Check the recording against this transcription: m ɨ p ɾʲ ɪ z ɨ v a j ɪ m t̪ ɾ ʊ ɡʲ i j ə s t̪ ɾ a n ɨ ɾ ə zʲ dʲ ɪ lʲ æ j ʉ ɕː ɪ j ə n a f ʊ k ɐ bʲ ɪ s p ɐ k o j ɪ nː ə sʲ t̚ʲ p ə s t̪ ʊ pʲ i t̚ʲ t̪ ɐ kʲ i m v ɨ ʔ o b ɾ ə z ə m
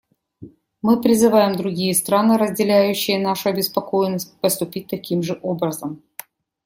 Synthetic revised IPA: m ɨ p ɾʲ ɪ z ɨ v a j ɪ m d̪ ɾ ʊ ɡʲ i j ə s t̪ ɾ a n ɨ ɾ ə zʲ dʲ ɪ lʲ æ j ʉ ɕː ɪ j ə n a ʂ ʊ ɐ bʲ ɪ s p ɐ k o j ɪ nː ə sʲ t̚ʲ p ə s t̪ ʊ pʲ i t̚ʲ t̪ ɐ kʲ i m ʐ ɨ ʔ o b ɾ ə z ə m